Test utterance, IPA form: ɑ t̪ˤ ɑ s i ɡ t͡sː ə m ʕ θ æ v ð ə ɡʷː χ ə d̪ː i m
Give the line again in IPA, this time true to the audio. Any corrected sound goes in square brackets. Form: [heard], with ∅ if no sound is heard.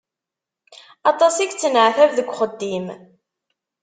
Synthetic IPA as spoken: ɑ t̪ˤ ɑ s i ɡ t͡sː ə [n] ʕ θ æ v ð ə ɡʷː χ ə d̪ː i m